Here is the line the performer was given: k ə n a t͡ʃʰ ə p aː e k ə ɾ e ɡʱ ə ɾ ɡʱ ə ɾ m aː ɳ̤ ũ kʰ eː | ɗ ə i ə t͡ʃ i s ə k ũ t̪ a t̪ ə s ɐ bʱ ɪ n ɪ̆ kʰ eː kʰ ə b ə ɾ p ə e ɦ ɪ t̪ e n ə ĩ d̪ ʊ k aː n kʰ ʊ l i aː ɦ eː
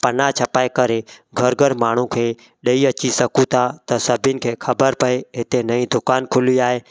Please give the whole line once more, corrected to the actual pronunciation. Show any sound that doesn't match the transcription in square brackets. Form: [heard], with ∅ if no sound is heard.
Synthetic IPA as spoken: [p] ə n a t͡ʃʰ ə p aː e k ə ɾ e ɡʱ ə ɾ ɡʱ ə ɾ m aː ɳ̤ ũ kʰ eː | ɗ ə i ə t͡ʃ i s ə k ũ [t̪ʰ] a t̪ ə s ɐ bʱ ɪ n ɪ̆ kʰ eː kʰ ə b ə ɾ p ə e ɦ ɪ t̪ e n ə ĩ d̪ ʊ k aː n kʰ ʊ l i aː ɦ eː